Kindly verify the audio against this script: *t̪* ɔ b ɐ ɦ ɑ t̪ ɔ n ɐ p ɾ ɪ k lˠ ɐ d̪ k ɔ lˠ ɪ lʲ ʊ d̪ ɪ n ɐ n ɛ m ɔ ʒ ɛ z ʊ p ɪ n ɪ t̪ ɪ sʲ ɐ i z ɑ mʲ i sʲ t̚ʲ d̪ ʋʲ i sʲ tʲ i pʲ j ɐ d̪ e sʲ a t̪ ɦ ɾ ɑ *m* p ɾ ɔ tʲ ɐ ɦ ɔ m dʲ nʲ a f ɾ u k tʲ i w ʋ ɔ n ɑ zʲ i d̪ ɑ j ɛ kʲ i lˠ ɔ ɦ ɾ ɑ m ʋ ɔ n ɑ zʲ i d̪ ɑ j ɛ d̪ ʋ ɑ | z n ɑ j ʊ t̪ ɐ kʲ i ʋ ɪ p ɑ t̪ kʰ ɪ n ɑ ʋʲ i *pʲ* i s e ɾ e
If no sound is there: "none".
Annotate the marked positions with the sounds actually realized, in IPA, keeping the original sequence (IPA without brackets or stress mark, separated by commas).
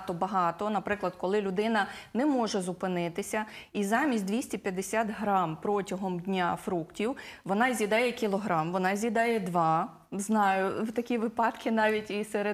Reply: t̪, m, tʲ